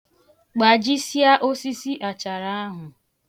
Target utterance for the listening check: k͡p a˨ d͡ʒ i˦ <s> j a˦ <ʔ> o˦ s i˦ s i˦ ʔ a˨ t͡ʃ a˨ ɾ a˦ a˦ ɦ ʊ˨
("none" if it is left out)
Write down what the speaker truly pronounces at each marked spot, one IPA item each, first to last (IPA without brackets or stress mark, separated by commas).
s, ʔ